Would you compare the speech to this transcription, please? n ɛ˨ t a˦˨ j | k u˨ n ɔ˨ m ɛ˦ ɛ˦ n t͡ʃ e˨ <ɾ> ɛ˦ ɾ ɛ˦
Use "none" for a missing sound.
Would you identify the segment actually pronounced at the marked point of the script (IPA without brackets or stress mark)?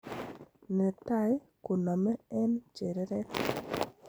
ɾ